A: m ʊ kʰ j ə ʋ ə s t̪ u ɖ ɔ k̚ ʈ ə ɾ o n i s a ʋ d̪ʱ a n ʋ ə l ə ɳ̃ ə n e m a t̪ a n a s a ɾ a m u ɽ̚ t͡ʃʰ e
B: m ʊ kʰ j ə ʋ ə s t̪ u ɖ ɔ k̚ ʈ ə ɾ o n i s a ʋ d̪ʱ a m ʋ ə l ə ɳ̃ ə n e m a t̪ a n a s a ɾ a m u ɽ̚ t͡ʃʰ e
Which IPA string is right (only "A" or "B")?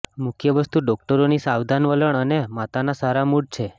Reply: A